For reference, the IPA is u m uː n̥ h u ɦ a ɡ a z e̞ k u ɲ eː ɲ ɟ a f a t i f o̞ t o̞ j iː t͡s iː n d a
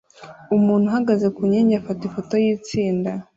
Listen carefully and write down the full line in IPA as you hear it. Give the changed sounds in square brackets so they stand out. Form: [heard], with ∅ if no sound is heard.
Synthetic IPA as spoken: u m uː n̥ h u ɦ a ɡ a z e̞ k u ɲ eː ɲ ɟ a f a t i f o̞ t o̞ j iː t͡s iː n d a